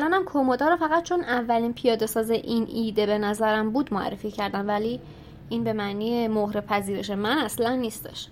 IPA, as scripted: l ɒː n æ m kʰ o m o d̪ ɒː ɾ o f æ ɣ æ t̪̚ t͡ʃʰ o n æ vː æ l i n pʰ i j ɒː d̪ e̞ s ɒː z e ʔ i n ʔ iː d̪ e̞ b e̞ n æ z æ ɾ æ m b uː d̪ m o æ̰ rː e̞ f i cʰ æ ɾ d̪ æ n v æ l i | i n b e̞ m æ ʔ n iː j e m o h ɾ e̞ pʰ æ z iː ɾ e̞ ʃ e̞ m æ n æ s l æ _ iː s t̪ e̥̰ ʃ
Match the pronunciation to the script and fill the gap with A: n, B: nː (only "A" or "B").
B